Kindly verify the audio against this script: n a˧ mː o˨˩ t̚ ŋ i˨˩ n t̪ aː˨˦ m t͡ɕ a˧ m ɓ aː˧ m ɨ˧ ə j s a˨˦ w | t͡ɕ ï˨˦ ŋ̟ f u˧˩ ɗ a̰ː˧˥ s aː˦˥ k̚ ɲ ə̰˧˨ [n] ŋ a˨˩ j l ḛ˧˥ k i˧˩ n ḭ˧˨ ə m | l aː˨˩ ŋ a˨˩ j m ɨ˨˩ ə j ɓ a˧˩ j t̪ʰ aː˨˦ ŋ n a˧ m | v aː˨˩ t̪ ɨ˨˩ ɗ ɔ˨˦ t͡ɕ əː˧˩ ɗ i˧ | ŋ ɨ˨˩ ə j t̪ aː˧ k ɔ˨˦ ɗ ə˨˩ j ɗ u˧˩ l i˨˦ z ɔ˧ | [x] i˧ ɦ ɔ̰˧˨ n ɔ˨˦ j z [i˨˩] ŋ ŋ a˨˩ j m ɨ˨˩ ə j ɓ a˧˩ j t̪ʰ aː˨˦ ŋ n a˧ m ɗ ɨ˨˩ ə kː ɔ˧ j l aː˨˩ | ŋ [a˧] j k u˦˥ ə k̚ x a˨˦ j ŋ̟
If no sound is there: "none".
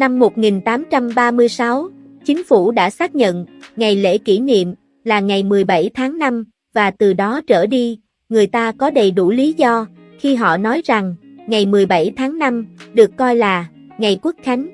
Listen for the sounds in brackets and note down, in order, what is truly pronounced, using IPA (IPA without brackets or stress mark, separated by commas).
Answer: n, x, a˨˩, a˨˩